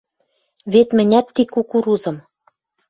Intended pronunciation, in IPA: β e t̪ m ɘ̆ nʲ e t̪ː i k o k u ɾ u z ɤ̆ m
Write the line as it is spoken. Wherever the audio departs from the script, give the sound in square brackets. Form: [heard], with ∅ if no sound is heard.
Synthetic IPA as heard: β e t̪ m ɘ̆ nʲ [æ] t̪ː i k [u] k u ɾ u z ɤ̆ m